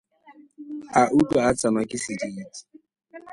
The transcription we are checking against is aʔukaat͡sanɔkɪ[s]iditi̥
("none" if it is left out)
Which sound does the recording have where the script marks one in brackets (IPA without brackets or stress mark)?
s